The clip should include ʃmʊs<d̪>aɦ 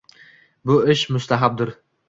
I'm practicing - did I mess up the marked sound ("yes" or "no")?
yes